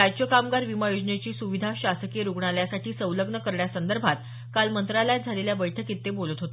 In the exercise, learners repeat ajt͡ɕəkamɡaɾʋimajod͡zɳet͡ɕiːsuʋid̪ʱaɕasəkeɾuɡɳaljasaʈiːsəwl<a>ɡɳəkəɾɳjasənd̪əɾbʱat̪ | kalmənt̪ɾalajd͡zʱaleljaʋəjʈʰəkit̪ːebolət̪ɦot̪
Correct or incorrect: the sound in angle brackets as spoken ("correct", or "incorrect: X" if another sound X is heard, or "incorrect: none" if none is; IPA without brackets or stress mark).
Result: incorrect: ə